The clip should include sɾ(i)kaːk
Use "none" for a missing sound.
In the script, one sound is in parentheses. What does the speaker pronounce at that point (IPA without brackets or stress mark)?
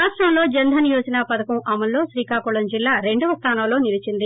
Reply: iː